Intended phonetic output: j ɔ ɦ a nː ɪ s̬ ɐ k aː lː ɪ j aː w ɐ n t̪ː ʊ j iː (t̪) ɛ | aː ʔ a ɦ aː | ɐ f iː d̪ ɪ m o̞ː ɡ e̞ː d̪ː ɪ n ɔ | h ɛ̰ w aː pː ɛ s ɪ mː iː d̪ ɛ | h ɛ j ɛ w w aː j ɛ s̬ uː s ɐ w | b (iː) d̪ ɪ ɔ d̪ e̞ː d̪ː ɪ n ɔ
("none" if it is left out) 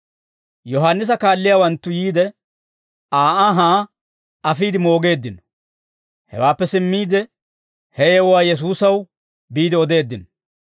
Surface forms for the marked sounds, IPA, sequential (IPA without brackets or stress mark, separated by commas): d̪, iː